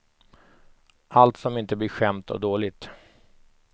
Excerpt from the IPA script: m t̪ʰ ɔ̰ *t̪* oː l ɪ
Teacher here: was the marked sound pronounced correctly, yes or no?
no